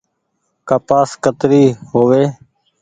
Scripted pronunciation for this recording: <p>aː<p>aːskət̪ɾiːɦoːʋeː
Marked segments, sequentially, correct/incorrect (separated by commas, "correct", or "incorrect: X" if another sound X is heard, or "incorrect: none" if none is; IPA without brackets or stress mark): incorrect: k, correct